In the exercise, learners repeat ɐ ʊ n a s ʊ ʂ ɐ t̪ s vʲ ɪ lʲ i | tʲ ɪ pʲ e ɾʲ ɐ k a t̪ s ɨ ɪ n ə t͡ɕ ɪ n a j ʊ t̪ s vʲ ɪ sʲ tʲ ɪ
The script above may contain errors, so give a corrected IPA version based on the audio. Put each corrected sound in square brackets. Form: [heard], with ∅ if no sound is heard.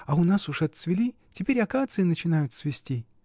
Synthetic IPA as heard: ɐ ʊ n a s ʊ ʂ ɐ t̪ s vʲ ɪ lʲ i | tʲ ɪ pʲ e ɾʲ ɐ k a t̪ s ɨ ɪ n ə t͡ɕ ɪ n a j ʊ t̪ s vʲ ɪ sʲ tʲ [i]